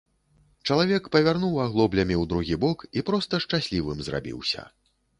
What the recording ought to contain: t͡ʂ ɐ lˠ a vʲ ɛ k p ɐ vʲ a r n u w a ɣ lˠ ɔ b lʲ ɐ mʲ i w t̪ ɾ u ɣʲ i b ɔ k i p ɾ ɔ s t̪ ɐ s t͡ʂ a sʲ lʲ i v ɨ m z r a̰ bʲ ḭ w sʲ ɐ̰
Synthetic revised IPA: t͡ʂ ɐ lˠ a vʲ ɛ k p ɐ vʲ a r n u w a ɣ lˠ ɔ b lʲ ɐ mʲ i w d̪ ɾ u ɣʲ i b ɔ k i p ɾ ɔ s t̪ ɐ ʂ t͡ʂ a sʲ lʲ i v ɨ m z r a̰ bʲ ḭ w sʲ ɐ̰

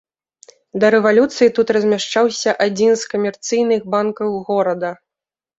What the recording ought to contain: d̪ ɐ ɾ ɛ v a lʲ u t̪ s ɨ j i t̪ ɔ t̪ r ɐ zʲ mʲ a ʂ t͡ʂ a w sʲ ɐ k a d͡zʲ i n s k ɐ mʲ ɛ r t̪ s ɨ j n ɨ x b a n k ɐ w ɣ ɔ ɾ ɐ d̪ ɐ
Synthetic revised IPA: d̪ ɐ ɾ ɛ v a lʲ u t̪ s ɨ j i t̪ u t̪ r ɐ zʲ mʲ a ʂ t͡ʂ a w sʲ ɐ ʔ a d͡zʲ i n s k ɐ mʲ ɛ r t̪ s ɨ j n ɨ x b a n k ɐ w ɣ ɔ ɾ ɐ d̪ ɐ

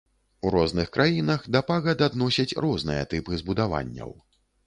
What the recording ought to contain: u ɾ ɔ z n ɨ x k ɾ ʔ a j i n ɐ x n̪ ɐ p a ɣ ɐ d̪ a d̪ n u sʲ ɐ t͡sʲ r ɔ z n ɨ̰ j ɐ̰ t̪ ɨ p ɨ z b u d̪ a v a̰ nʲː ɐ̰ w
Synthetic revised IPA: u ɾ ɔ z n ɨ x k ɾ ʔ a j i n ɐ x d̪ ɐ p a ɣ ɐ d̪ a d̪ n ɔ sʲ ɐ t͡sʲ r ɔ z n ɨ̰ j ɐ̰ t̪ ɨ p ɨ z b u d̪ a v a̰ nʲː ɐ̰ w

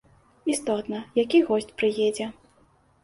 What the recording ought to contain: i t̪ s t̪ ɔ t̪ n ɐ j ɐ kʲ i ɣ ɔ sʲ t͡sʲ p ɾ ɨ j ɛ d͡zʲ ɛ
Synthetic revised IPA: i s t̪ ɔ t̪ n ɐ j a kʲ i ɣ ɔ sʲ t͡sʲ p ɾ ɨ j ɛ d͡zʲ ɛ

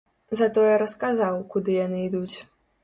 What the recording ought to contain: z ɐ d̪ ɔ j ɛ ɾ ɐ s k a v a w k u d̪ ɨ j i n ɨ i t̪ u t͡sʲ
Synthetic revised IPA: z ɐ t̪ ɔ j ɛ ɾ ɐ s k a z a w k u d̪ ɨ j a n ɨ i d̪ u t͡sʲ

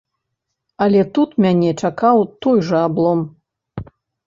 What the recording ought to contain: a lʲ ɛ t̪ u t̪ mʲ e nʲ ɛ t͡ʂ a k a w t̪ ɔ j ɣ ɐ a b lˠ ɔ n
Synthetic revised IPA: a lʲ ɛ t̪ u t̪ mʲ a nʲ ɛ t͡ʂ a k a w t̪ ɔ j ʐ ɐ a b lˠ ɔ m

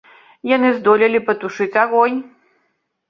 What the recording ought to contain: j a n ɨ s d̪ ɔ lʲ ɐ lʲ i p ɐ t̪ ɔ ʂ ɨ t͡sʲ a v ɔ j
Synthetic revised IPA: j a n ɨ z d̪ ɔ lʲ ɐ lʲ i p ɐ t̪ u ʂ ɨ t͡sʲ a ɣ ɔ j

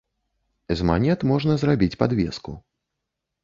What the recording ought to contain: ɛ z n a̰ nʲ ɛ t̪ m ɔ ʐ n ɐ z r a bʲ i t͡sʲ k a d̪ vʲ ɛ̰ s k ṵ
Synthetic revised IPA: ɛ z m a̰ nʲ ɛ t̪ m ɔ ʐ n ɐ z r a bʲ i t͡sʲ p a d̪ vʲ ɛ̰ s k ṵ

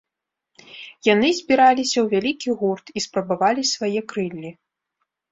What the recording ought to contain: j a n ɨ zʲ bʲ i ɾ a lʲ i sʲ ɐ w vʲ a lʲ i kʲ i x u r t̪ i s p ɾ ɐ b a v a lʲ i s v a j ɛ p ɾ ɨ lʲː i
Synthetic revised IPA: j a n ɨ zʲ bʲ i ɾ a lʲ i sʲ ɐ w vʲ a lʲ i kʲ i ɣ u r t̪ i s p ɾ ɐ b a v a lʲ i s v a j ɛ k ɾ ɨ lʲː i

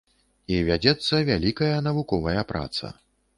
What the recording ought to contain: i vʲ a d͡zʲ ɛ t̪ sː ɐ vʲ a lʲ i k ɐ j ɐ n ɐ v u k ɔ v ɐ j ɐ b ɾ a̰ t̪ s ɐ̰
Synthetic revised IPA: i vʲ a d͡zʲ ɛ t̪ sː ɐ vʲ a lʲ i k ɐ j ɐ n ɐ v u k ɔ v ɐ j ɐ p ɾ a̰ t̪ s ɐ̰

